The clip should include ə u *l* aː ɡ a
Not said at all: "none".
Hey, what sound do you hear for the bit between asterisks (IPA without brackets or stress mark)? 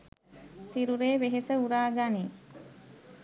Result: ɾ